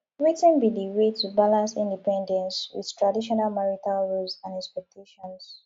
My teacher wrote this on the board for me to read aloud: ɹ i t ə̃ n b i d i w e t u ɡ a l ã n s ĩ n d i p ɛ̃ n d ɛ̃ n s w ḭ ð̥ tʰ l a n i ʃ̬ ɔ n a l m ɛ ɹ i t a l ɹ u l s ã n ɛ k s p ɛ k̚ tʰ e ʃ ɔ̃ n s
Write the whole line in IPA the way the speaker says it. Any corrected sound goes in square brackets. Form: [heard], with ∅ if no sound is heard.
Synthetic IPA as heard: ɹ i t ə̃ n b i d i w e t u [b] a l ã n s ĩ n d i p ɛ̃ n d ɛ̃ n s w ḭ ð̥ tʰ [ɹ] a [d] i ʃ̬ ɔ n a l m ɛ ɹ i t a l ɹ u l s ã n ɛ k s p ɛ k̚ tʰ e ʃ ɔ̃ n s